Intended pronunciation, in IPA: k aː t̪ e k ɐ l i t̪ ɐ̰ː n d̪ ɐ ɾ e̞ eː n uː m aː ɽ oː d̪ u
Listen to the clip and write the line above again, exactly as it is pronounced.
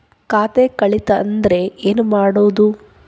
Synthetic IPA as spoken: k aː t̪ e k ɐ ɭ i t̪ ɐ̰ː n d̪ ɐ ɾ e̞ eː n u m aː ɽ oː d̪ u